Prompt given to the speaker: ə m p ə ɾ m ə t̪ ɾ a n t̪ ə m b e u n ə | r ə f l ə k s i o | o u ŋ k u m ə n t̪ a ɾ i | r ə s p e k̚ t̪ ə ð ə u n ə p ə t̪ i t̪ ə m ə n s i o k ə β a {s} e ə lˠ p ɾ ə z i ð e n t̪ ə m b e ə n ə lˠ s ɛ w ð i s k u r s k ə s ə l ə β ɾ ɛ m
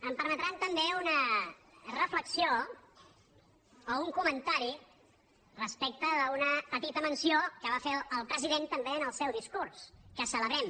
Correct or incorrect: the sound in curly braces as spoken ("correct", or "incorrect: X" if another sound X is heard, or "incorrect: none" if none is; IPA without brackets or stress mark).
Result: incorrect: f